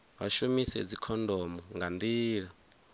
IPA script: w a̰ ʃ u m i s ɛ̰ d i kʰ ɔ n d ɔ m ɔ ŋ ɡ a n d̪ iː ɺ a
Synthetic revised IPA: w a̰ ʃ u m i s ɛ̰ d͡z i kʰ ɔ n d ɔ m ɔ ŋ ɡ a n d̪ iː ɺ a